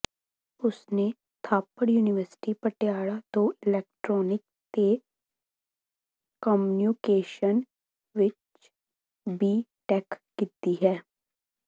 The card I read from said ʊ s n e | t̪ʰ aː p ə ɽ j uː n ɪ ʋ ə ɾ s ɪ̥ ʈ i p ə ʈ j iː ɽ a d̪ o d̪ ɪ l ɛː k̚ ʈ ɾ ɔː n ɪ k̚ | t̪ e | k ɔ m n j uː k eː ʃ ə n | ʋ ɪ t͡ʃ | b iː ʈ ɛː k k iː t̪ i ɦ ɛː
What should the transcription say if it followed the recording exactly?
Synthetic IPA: ʊ s n e | t̪ʰ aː p ə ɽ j uː n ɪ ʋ ə ɾ s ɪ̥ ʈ i p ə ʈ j aː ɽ a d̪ o ɪ l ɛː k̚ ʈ ɾ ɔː n ɪ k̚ | t̪ e | k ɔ m n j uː k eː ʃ ə n | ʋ ɪ t͡ʃ | b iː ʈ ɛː k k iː t̪ i ɦ ɛː